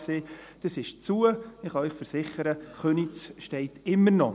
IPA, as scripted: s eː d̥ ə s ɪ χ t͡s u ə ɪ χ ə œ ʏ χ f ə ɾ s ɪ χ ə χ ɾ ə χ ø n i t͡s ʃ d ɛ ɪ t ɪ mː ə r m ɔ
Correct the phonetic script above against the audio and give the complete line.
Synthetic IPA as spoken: s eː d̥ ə s ɪ ʃ t͡s u ə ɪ χ ɑ œ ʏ χ f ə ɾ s ɪ χ ə ɾ ə χ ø n i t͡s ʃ t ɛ ɪ t ɪ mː ə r n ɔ